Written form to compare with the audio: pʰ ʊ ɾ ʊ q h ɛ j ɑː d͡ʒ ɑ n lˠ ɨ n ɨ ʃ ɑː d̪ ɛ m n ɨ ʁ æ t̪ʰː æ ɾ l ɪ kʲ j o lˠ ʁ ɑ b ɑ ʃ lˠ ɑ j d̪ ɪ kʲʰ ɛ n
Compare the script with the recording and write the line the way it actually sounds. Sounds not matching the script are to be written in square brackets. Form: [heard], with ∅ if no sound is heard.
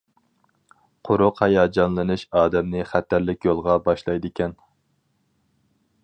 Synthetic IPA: [qʰ] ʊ ɾ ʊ q h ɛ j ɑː d͡ʒ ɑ n lˠ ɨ n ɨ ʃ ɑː d̪ ɛ m n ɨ [χ] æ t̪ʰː æ ɾ l ɪ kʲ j o lˠ ʁ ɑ b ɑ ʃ lˠ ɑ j d̪ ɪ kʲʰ ɛ n